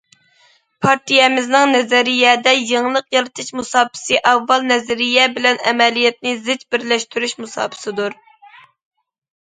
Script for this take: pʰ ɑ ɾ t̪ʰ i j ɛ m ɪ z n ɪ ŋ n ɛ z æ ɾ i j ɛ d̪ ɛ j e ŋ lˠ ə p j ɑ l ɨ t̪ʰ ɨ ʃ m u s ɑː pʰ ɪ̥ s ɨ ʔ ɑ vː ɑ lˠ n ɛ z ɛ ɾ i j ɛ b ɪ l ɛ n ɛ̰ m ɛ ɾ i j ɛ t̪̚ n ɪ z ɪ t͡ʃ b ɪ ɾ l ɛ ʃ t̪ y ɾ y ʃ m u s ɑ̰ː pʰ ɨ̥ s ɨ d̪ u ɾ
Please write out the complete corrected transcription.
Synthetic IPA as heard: pʰ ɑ ɾ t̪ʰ i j ɛ m ɪ z n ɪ ŋ n ɛ z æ ɾ i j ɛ d̪ ɛ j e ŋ lˠ ə q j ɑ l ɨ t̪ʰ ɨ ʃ m u s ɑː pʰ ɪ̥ s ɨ ʔ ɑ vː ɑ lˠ n ɛ z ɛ ɾ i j ɛ b ɪ l ɛ n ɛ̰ m ɛ l i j ɛ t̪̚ n ɪ z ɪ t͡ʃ b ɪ ɾ l ɛ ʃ t̪ y ɾ y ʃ m u s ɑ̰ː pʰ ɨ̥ s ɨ d̪ u ɾ